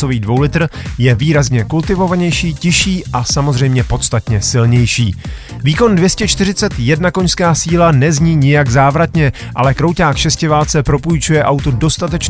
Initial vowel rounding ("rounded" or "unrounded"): rounded